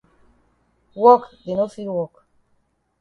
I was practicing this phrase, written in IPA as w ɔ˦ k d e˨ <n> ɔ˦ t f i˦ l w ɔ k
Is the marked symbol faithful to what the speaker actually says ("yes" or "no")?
yes